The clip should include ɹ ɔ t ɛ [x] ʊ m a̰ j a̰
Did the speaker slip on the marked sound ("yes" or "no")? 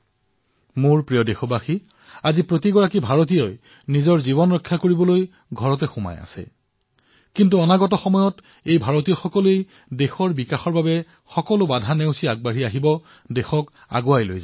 no